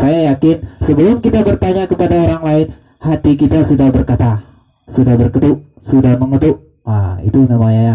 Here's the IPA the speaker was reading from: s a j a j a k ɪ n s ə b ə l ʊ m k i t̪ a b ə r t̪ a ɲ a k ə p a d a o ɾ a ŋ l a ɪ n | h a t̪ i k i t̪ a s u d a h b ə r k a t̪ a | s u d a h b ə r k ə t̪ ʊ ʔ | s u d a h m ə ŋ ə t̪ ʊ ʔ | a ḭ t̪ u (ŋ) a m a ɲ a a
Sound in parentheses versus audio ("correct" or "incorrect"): incorrect